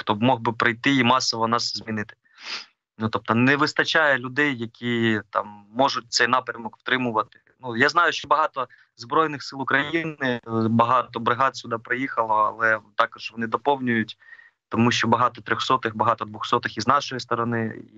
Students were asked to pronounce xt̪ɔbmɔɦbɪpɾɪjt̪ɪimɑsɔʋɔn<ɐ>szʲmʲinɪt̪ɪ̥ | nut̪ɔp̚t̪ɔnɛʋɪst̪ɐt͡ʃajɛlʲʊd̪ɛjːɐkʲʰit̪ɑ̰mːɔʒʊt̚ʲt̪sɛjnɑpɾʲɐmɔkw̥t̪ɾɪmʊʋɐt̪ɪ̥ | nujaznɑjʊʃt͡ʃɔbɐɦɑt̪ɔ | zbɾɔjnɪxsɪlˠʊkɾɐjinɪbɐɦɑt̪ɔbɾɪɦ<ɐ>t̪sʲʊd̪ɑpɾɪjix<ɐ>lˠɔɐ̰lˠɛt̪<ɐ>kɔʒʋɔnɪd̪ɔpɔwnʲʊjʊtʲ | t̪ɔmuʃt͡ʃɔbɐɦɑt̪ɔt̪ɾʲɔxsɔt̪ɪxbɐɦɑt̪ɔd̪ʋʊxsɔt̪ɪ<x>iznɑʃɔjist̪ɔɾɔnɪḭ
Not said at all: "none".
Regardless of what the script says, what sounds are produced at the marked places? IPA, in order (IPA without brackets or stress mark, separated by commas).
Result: ɑ, ɑ, ɐ, ɑ, x